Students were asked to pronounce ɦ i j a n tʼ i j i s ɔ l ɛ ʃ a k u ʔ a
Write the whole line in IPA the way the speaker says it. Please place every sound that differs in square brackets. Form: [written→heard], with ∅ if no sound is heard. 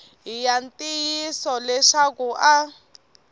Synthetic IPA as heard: ɦ i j a n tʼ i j i s ɔ l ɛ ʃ a k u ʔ a